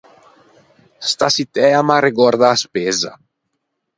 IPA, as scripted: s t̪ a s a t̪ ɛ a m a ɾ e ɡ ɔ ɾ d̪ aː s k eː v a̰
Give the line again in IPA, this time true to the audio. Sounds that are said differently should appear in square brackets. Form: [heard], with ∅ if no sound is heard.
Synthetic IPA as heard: s t̪ a s [i] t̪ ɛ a m a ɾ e ɡ ɔ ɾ d̪ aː s [p] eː [z] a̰

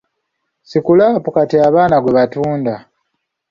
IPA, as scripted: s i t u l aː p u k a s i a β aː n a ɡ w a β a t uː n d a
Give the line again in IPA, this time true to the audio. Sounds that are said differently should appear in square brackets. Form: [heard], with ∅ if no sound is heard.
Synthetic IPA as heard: s i [k] u l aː p u k a [t] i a β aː n a ɡ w [e] β a t uː n d a

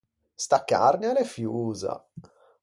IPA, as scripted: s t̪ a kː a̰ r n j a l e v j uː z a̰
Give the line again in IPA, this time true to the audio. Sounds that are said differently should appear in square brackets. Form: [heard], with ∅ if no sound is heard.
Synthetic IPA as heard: s t̪ a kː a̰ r n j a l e [f] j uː z a̰

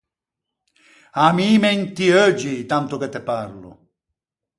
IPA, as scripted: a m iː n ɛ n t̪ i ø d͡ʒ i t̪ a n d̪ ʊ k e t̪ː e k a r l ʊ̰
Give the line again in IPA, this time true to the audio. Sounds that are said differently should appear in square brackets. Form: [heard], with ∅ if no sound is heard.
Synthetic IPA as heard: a m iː [m] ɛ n t̪ i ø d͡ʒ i t̪ a n [t̪] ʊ k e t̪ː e [p] a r l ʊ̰

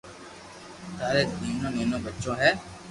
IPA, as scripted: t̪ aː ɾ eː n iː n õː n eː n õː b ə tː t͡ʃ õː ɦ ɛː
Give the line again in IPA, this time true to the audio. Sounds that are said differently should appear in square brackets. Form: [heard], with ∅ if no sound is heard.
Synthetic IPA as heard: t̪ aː ɾ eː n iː n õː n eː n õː b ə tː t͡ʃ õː ɦ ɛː

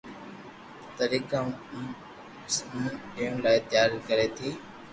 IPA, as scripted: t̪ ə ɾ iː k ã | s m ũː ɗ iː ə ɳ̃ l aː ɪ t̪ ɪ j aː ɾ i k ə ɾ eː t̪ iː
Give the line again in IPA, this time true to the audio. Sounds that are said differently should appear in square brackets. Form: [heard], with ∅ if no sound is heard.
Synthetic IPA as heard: t̪ ə ɾ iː k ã | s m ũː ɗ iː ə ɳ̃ l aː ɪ t̪ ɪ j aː ɾ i k ə ɾ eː [t̪ʰ] iː

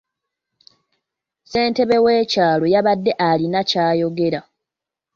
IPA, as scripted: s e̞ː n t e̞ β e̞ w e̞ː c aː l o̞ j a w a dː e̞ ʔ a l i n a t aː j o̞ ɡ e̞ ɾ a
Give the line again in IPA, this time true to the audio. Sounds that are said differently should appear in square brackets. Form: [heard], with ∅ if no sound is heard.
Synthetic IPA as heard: s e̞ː n t e̞ β e̞ w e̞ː c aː l o̞ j a [β] a dː e̞ ʔ a l i n a [c] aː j o̞ ɡ e̞ ɾ a

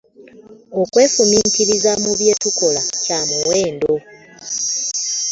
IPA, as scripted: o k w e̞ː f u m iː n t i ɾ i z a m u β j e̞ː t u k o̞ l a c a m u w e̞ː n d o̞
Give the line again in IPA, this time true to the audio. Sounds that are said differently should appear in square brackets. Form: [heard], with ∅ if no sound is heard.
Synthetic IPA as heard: o k w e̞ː f u m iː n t i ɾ i z a m u β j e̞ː t u k o̞ l a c a m u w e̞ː n d o̞

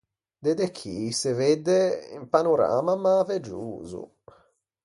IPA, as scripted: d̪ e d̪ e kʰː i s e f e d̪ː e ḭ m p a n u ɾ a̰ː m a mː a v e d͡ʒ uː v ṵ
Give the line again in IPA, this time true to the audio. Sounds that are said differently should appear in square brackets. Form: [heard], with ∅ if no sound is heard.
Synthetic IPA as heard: d̪ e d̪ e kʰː i s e [v] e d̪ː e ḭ m p a n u ɾ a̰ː m a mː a v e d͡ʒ uː [z] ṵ

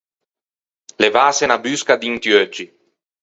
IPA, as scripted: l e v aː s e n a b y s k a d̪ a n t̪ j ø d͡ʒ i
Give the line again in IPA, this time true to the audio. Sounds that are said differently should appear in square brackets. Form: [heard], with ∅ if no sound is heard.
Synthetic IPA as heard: l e v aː s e n a b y s k a d̪ [i] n t̪ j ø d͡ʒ i

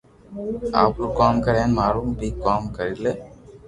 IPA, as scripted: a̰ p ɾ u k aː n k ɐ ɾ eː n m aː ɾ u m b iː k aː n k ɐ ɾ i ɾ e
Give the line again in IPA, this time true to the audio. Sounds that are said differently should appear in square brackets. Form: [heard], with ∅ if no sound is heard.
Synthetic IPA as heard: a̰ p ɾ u k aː [m] k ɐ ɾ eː n m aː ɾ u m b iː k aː [m] k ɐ ɾ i [l] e

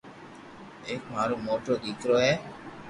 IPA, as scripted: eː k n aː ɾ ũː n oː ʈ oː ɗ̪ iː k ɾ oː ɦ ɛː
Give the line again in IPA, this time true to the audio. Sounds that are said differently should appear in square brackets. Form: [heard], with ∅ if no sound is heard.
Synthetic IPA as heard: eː k [m] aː ɾ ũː [m] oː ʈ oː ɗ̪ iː k ɾ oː ɦ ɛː

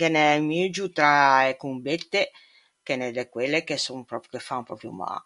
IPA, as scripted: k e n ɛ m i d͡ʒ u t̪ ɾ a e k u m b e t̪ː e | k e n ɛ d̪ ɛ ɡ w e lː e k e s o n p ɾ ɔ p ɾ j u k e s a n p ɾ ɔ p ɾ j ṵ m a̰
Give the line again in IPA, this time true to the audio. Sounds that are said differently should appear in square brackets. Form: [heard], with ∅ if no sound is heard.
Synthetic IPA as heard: k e n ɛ m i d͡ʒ u t̪ ɾ a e k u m b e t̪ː e | k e n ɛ d̪ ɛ [k] w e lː e k e s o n p ɾ ɔ p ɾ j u k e [f] a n p ɾ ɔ p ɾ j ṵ m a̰

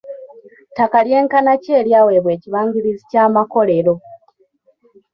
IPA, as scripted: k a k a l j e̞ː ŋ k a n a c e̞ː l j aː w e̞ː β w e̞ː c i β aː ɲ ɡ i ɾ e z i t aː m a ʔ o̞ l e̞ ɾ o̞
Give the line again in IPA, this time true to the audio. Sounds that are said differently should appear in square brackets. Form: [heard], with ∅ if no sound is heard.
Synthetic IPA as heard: [t] a k a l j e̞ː ŋ k a n a c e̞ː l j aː w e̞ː β w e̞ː c i β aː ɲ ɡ i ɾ [i] z i [c] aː m a [k] o̞ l e̞ ɾ o̞

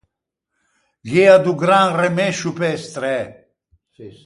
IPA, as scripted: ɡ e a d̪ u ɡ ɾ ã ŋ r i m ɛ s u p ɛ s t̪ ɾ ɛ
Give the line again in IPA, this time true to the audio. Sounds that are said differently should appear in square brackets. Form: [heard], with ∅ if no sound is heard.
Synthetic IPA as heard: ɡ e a d̪ u ɡ ɾ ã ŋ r [e] m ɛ [ʃ] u p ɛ s t̪ ɾ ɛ

